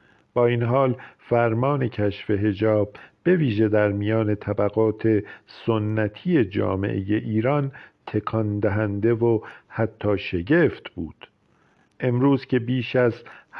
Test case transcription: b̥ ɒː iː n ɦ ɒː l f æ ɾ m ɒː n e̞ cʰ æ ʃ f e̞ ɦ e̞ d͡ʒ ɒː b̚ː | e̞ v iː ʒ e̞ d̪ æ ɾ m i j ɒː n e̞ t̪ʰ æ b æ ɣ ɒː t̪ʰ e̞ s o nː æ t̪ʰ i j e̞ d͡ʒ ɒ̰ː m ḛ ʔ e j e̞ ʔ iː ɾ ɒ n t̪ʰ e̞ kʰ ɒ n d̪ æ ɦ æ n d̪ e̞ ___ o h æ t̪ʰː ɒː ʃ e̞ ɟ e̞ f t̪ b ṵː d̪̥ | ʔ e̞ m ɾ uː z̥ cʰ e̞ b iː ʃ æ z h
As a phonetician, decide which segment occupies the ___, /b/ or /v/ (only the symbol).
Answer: v